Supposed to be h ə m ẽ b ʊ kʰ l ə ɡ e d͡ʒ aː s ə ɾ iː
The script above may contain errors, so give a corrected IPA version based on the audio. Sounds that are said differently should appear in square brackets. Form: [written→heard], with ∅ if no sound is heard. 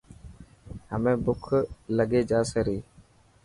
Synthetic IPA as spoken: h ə m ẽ b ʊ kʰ l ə ɡ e d͡ʒ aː s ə ɾ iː